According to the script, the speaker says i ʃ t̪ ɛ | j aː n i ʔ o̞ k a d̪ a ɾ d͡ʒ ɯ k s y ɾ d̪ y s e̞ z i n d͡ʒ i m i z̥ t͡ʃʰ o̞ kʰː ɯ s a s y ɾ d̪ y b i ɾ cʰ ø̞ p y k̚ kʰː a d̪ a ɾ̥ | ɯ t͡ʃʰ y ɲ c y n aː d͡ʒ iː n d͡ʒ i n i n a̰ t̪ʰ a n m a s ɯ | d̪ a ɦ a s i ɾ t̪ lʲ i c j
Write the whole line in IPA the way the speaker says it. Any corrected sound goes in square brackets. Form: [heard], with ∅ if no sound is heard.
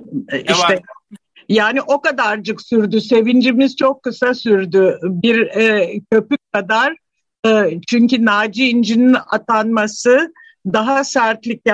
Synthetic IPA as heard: i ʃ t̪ ɛ | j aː n i ʔ o̞ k a d̪ a ɾ d͡ʒ ɯ k s y ɾ d̪ y s e̞ [v] i n d͡ʒ i m i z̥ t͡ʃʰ o̞ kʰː ɯ s a s y ɾ d̪ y b i ɾ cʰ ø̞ p y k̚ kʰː a d̪ a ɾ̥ | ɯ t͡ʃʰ y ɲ c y n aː d͡ʒ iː n d͡ʒ i n i n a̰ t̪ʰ a n m a s ɯ | d̪ a ɦ a s [æ] ɾ t̪ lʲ i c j